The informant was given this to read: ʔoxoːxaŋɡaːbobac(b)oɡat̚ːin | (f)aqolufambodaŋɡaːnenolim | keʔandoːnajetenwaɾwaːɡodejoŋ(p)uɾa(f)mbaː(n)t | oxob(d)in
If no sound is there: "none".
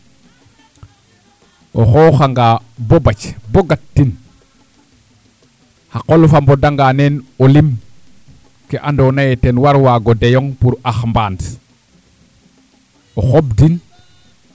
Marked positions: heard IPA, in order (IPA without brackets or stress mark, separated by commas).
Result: b, h, p, x, n, d